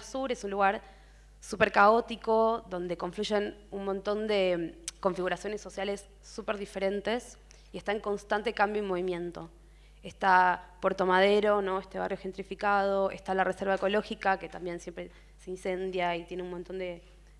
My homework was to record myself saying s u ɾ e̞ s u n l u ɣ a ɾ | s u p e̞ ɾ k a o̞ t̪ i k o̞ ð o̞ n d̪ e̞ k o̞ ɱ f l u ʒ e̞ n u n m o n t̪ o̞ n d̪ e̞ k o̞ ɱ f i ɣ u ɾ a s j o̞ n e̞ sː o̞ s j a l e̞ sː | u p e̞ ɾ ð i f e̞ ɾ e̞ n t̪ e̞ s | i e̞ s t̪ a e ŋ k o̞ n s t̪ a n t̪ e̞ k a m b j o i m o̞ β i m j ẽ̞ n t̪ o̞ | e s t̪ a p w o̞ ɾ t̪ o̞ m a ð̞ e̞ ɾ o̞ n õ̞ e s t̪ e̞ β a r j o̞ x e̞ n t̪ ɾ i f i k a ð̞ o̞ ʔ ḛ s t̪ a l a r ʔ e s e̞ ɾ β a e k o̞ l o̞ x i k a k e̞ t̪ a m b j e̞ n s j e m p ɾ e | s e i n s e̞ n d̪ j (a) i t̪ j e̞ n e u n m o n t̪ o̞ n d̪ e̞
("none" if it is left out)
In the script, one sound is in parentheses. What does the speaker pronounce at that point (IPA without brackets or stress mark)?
a